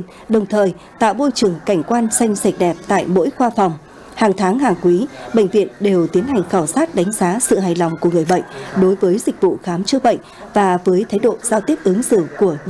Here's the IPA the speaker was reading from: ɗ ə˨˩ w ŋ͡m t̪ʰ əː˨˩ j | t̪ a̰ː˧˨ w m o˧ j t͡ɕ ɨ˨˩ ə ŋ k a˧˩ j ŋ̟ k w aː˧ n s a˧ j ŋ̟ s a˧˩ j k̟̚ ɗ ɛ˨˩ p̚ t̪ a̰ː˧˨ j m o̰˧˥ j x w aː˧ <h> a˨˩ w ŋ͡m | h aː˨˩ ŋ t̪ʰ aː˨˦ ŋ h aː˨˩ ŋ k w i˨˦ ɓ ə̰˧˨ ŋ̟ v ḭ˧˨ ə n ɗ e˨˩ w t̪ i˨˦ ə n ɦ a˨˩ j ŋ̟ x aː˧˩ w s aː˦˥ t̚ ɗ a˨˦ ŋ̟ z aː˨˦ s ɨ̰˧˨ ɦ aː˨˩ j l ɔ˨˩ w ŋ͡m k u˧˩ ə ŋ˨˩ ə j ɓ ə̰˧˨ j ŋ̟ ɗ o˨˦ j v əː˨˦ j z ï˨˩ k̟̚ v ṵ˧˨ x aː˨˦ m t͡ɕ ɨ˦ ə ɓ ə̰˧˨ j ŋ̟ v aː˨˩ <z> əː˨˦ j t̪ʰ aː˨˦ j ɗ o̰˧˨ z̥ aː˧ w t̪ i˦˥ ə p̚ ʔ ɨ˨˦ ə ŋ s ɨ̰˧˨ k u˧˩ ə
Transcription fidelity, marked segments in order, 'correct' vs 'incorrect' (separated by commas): incorrect, incorrect